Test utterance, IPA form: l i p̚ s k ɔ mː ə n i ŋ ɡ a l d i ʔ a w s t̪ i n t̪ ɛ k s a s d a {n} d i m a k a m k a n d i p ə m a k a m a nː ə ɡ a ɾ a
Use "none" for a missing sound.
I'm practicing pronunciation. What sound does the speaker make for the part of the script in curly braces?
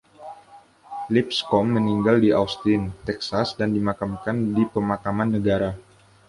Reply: n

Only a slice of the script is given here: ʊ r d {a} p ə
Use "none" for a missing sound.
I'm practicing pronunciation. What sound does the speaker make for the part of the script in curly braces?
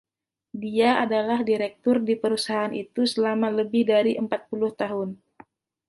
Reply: i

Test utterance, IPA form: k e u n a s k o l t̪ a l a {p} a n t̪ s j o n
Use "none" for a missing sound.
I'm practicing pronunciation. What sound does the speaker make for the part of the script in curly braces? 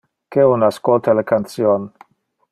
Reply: k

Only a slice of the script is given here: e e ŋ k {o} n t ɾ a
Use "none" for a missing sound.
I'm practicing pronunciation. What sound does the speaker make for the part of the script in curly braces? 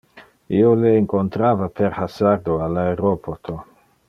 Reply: o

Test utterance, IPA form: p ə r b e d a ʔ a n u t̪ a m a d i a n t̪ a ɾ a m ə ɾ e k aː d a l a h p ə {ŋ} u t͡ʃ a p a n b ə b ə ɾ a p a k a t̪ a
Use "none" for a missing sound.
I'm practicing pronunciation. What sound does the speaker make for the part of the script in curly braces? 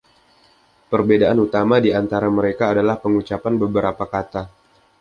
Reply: ŋ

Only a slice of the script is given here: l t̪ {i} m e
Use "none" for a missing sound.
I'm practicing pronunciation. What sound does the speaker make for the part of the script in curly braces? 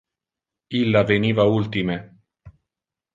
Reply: i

